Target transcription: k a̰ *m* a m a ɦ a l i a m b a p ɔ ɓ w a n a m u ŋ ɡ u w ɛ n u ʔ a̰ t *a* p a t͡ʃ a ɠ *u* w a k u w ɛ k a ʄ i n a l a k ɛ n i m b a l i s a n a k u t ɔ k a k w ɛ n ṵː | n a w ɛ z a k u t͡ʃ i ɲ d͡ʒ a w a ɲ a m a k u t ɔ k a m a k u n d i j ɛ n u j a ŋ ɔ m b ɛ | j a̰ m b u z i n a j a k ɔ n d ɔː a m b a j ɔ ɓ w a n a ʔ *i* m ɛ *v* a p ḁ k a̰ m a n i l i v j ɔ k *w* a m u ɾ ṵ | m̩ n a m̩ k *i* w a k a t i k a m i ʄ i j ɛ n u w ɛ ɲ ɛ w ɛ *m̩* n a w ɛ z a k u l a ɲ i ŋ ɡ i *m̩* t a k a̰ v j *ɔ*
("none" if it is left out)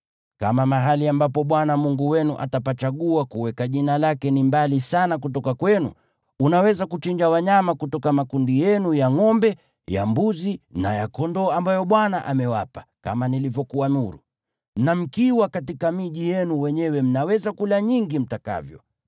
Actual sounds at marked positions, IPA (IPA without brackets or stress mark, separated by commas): m, a, u, a, w, u, i, m̩, m̩, ɔ